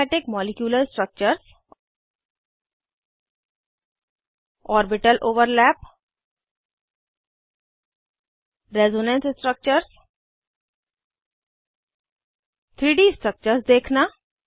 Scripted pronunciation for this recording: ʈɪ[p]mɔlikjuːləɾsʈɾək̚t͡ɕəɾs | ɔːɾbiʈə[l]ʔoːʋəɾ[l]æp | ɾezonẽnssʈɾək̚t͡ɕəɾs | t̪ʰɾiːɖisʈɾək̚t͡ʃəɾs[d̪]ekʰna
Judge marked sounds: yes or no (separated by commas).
no, yes, yes, yes